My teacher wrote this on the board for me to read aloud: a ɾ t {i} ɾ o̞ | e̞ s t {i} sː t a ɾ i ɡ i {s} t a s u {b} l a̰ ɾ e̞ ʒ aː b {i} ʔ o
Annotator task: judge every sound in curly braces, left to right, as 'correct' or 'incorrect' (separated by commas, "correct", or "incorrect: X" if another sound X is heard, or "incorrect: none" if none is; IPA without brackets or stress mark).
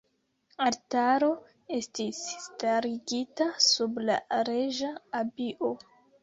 incorrect: a, correct, incorrect: none, correct, correct